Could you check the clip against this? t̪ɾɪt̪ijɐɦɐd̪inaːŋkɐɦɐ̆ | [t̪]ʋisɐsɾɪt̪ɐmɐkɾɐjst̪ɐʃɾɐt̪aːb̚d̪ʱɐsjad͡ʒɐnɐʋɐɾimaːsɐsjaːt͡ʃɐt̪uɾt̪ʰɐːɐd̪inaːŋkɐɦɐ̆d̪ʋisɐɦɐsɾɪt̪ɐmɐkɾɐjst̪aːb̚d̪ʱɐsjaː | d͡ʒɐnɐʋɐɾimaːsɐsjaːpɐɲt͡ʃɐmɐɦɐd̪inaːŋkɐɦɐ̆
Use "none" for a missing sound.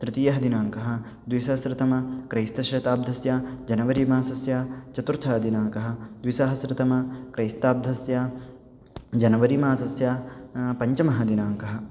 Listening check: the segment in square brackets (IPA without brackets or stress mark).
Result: d̪